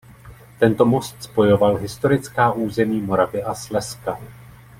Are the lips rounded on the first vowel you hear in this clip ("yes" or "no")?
no